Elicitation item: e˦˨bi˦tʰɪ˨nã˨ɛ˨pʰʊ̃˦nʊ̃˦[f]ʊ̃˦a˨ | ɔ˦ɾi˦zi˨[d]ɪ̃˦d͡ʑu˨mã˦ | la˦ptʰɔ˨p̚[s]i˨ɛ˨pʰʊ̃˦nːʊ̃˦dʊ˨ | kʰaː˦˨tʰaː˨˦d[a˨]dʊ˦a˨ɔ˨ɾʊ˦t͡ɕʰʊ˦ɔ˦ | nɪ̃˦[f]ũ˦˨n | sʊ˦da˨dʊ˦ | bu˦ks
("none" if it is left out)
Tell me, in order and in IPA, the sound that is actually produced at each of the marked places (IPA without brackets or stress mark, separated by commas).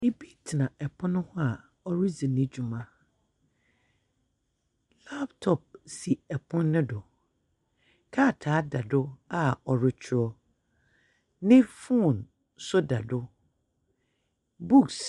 h, n, s, a˨, f